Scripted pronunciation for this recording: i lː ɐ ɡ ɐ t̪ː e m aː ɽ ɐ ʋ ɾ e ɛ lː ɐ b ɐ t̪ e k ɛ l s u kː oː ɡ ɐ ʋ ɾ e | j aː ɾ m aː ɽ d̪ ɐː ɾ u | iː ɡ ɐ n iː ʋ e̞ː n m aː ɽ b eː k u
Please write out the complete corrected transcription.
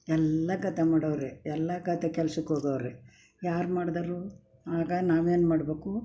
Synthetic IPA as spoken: ɛ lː ɐ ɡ ɐ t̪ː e m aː ɽ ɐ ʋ ɾ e ɛ lː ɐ ɡ ɐ t̪ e k ɛ l s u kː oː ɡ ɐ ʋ ɾ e | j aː ɾ m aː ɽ d̪ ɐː ɾ u | aː ɡ ɐ n aː ʋ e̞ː n m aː ɽ b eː k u